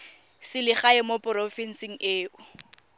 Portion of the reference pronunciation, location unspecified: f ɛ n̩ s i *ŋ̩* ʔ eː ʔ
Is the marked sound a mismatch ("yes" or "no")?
no